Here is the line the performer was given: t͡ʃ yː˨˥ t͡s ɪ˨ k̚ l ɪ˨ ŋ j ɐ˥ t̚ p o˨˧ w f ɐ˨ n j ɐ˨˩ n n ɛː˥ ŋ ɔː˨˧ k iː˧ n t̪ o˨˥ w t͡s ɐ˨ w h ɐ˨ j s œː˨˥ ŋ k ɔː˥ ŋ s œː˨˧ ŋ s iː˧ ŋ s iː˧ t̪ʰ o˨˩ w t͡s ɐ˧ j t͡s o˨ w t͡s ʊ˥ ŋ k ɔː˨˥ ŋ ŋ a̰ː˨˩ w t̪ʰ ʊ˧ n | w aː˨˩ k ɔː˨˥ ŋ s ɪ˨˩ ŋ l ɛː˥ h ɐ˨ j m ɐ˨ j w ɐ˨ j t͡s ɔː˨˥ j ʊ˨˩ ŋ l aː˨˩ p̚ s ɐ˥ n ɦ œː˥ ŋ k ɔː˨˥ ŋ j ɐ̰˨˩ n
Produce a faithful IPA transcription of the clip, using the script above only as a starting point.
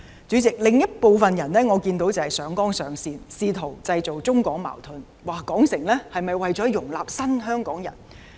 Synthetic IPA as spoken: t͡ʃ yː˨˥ t͡s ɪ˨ k̚ l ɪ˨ ŋ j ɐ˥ t̚ p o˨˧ w f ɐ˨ n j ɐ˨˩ n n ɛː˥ ŋ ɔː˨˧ k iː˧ n t̪ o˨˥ w t͡s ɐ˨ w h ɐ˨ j s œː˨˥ ŋ k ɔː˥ ŋ s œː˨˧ ŋ s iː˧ n s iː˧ t̪ʰ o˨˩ w t͡s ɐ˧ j t͡s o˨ w t͡s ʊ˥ ŋ k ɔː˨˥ ŋ m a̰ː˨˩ w t̪ʰ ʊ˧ n | w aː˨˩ k ɔː˨˥ ŋ s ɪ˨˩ ŋ l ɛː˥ h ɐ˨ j m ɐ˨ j w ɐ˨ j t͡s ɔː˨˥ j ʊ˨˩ ŋ l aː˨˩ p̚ s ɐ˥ n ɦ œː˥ ŋ k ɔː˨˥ ŋ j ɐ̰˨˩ n